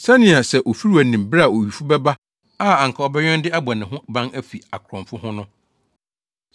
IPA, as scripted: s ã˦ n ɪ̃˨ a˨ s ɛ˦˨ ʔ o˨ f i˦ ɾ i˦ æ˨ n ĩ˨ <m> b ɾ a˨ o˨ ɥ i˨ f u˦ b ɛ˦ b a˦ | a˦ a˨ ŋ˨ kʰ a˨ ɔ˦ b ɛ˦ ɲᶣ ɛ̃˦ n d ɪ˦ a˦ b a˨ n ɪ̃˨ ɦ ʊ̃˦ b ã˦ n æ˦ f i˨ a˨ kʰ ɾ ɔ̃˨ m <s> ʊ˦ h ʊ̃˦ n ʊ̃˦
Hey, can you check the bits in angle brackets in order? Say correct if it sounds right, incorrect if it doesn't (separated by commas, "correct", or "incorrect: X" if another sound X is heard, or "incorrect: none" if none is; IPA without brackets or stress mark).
correct, incorrect: f